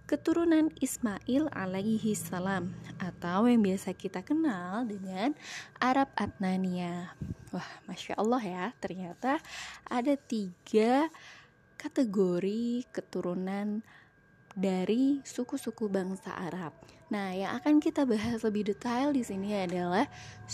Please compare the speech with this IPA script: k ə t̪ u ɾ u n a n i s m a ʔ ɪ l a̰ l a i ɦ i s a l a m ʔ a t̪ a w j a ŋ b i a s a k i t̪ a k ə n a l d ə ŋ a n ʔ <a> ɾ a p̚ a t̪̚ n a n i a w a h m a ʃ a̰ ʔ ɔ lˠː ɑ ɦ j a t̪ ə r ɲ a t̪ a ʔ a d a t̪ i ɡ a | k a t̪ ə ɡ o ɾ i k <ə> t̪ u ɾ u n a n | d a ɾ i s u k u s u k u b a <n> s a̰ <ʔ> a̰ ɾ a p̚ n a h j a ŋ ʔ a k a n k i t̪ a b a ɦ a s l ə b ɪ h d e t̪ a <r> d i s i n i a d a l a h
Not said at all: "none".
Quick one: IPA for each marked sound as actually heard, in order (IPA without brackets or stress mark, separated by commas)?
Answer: a, ə, ŋ, ʔ, l